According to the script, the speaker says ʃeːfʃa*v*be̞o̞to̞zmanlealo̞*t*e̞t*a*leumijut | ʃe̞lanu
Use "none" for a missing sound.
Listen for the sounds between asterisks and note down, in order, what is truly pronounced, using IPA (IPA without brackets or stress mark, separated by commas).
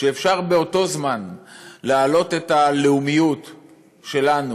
ʁ, t, a